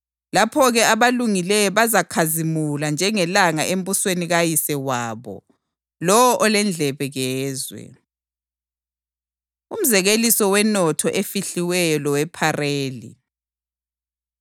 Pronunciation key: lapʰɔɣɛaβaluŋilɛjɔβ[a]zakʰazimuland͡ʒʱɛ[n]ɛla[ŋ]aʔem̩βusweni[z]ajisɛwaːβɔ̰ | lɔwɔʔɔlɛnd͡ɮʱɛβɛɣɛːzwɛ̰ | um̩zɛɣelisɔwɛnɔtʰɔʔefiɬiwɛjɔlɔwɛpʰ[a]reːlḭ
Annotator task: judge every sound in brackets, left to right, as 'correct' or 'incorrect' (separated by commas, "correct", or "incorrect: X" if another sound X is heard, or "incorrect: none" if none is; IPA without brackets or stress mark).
correct, incorrect: ŋ, correct, incorrect: ɣ, correct